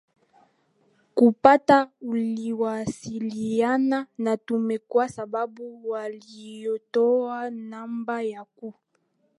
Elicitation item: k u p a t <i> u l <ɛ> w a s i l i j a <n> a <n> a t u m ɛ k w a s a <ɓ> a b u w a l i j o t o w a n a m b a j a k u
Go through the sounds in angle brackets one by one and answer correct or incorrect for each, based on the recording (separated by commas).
incorrect, incorrect, correct, correct, incorrect